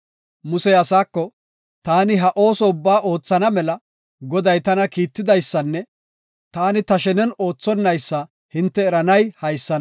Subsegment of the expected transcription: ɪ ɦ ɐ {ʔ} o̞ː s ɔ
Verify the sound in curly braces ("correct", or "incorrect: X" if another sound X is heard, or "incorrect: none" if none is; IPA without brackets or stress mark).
correct